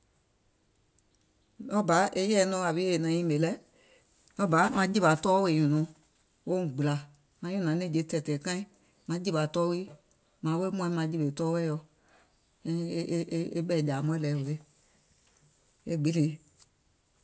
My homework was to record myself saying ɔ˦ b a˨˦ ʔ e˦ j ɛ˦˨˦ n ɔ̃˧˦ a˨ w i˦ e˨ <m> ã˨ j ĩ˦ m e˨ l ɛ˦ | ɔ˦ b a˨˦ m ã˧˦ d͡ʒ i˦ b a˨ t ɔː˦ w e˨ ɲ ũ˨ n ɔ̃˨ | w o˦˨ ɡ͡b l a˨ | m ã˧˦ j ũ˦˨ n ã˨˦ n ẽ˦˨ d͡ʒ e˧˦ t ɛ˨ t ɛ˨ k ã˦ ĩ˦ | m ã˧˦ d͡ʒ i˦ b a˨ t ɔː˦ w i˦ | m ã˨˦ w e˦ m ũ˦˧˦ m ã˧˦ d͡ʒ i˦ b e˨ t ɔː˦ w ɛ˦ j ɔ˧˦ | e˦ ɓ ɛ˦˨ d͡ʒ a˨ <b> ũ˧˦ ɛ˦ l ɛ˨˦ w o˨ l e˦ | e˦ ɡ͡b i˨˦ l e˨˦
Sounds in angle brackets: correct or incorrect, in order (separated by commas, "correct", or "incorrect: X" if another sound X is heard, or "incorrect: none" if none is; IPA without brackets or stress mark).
incorrect: n, incorrect: m